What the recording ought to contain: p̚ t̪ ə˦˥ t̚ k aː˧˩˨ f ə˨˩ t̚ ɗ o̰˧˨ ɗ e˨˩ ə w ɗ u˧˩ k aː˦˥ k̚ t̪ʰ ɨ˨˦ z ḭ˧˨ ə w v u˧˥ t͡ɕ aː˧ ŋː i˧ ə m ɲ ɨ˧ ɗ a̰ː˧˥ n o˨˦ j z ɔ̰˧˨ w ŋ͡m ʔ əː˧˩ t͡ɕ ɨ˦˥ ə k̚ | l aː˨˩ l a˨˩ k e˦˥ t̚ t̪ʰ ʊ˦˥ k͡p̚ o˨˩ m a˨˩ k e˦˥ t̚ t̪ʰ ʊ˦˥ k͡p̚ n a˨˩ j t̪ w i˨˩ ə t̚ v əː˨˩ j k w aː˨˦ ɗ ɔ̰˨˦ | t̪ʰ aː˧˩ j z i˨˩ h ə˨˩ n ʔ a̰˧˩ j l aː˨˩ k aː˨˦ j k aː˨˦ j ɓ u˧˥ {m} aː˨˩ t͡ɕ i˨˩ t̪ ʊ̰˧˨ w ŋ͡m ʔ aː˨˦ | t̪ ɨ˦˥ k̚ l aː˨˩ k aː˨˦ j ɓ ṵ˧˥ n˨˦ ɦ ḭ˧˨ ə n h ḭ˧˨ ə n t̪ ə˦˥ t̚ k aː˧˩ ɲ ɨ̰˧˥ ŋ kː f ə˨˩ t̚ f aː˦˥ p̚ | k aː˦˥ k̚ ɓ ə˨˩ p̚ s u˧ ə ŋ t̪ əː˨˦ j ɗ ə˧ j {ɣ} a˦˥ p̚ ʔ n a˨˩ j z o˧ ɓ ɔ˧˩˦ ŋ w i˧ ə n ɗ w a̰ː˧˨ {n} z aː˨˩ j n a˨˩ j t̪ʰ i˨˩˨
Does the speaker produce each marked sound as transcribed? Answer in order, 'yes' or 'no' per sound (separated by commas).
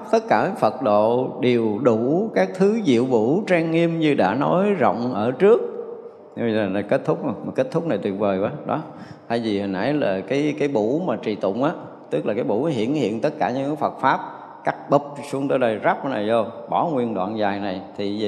yes, no, yes